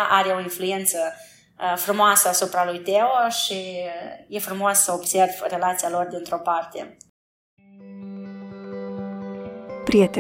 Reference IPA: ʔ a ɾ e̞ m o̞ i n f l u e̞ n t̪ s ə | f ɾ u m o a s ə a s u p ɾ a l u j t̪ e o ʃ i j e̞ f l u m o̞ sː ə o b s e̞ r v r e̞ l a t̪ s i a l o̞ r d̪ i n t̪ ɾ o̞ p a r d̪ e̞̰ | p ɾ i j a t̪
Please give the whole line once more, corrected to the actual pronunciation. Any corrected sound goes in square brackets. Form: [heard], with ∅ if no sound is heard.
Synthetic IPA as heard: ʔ a ɾ e̞ [∅] o̞ i n f l u e̞ n t̪ s ə | f ɾ u m o a s ə a s u p ɾ a l u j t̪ e o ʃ i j e̞ f [ɾ] u m o̞ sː ə o b s e̞ r v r e̞ l a t̪ s i a l o̞ r d̪ i n t̪ ɾ o̞ p a r [t̪] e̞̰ | p ɾ i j [e] t̪